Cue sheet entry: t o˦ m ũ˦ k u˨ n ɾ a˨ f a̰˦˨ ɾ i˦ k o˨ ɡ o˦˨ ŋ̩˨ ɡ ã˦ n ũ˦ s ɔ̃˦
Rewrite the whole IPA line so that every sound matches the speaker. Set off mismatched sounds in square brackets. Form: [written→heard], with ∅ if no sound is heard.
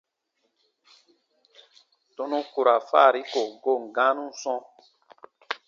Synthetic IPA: t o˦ [m→n] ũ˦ k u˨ [n→∅] ɾ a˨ f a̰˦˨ ɾ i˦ k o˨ ɡ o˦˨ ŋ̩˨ ɡ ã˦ n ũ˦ s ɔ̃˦